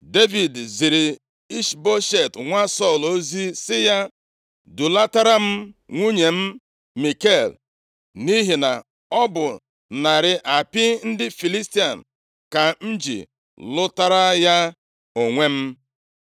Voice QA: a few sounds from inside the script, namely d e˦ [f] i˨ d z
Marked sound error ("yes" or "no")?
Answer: yes